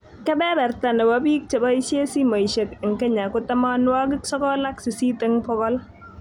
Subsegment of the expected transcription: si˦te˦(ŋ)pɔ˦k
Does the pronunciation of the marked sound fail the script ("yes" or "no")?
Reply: no